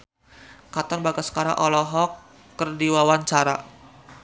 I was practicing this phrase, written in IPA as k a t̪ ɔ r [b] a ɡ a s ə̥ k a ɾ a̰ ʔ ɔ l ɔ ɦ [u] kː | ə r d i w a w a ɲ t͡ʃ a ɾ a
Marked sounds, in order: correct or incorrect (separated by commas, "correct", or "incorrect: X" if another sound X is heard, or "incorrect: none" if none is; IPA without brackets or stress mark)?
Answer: correct, incorrect: ɔ